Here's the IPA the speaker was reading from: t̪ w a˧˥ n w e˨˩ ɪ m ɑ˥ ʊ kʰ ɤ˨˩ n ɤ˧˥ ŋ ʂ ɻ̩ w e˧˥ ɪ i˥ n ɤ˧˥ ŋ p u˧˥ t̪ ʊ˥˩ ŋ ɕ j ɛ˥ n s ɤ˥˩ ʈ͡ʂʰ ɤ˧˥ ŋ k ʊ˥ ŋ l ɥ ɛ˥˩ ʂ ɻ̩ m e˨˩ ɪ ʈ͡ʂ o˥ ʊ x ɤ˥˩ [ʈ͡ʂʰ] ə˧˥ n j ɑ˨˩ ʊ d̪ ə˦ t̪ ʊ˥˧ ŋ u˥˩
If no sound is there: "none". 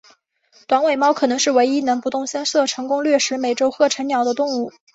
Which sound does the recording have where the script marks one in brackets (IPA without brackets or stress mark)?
ʈ͡ʂʰ